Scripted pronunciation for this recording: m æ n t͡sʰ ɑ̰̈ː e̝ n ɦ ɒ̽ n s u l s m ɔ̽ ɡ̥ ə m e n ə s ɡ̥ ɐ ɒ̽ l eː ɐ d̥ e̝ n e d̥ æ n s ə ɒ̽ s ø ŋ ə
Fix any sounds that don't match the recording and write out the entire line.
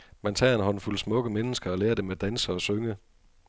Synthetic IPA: m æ n t͡sʰ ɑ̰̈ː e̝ n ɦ ɒ̽ n f u l s m ɔ̽ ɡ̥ ə m e n ə s ɡ̥ ɐ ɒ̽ l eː ɐ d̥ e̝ m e d̥ æ n s ə ɒ̽ s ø ŋ ə